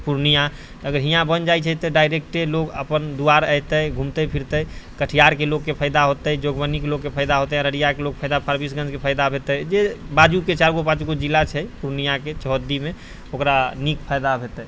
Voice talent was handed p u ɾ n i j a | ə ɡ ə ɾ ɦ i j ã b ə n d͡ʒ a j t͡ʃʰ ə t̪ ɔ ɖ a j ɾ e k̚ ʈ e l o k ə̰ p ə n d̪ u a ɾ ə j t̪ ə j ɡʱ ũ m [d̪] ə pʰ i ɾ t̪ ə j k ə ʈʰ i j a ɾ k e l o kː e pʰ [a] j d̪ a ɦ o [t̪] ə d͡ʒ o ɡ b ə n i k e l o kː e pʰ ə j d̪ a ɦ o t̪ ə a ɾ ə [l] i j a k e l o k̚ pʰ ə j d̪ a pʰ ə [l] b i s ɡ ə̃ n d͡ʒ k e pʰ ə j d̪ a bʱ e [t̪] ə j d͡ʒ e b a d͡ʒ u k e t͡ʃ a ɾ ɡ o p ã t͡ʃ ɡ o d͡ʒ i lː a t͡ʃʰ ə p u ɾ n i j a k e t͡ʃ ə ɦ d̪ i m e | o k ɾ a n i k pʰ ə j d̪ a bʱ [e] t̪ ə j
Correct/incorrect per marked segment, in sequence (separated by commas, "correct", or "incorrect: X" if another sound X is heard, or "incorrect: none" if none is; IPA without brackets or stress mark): incorrect: t̪, incorrect: ə, correct, incorrect: ɽ, incorrect: ɾ, correct, correct